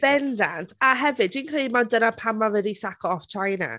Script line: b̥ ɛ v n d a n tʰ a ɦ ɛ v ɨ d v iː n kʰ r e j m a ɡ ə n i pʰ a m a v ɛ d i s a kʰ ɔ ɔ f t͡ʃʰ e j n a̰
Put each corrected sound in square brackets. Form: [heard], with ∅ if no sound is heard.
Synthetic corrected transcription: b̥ ɛ [∅] n d a n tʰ a ɦ ɛ v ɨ d [w] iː n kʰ r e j m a [d] ə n [a] pʰ a m a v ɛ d i s a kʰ ɔ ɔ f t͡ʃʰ [a] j n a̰